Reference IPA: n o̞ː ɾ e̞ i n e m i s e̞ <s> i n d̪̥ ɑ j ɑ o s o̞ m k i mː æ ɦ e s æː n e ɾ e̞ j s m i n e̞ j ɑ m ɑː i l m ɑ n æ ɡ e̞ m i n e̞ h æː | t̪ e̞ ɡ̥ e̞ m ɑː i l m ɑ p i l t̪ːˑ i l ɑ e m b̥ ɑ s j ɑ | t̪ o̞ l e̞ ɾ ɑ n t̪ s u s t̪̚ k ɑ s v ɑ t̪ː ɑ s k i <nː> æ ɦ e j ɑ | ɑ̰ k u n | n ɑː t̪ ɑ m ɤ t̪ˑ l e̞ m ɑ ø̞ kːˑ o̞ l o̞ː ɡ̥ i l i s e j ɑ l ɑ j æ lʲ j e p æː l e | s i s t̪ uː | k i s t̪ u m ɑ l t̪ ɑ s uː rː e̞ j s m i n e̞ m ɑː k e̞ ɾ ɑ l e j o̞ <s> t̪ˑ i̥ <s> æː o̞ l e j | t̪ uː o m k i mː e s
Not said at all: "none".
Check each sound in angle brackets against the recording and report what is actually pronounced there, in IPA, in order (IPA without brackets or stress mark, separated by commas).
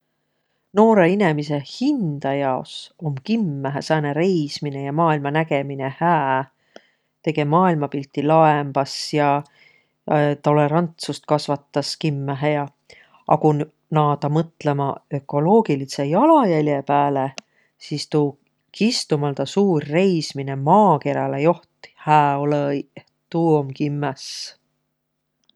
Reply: h, mː, h, h